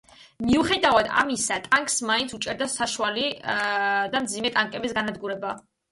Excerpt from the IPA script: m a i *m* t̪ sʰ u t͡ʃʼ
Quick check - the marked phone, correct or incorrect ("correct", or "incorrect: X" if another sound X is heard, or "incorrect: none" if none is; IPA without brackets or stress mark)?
incorrect: n